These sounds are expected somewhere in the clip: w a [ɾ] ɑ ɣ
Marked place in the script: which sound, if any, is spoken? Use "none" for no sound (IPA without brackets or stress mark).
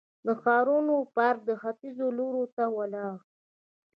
l